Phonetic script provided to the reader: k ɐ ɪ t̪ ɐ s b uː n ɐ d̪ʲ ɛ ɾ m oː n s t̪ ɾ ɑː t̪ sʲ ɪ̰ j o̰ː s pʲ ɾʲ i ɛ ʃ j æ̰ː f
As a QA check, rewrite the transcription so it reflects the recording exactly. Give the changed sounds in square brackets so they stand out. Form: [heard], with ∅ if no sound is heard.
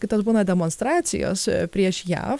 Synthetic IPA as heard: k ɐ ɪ t̪ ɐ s b uː n ɐ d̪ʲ ɛ [∅] m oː n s t̪ ɾ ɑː t̪ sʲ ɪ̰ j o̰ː s pʲ ɾʲ i ɛ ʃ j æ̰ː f